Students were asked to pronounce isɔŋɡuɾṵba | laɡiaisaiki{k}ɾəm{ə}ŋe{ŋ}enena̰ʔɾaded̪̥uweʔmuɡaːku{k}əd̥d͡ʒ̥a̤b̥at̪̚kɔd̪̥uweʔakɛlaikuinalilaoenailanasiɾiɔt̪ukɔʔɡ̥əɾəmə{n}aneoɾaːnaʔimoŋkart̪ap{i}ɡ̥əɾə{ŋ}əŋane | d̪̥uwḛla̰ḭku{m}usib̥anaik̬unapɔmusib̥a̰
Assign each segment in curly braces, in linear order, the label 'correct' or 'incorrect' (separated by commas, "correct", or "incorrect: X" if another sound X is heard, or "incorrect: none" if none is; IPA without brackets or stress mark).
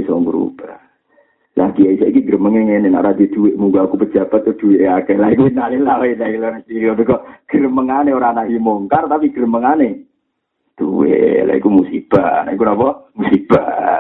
incorrect: ɡ, correct, correct, incorrect: p, incorrect: ŋ, correct, incorrect: m, correct